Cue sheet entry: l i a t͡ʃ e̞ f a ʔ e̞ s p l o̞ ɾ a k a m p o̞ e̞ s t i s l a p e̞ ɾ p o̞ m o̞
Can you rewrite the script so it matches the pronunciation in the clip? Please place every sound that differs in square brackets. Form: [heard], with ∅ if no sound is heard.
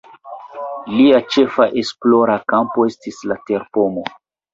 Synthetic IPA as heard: l i a t͡ʃ e̞ f a ʔ e̞ s p l o̞ ɾ a k a m p o̞ e̞ s t i s l a [t] e̞ ɾ p o̞ m o̞